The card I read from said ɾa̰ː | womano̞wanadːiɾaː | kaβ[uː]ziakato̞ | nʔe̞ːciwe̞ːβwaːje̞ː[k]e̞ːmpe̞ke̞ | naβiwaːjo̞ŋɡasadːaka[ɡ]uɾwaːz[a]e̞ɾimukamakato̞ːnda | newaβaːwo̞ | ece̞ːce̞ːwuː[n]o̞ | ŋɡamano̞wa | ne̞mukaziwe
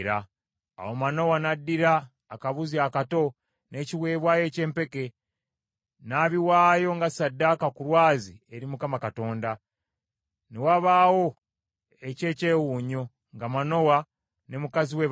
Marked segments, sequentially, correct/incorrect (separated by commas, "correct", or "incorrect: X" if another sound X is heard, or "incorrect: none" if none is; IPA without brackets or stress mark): incorrect: u, incorrect: c, incorrect: k, incorrect: i, incorrect: ɲ